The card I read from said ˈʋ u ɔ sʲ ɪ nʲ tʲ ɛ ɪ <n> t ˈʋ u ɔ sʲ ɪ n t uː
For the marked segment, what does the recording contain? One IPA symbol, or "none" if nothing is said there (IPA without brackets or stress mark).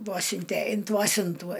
n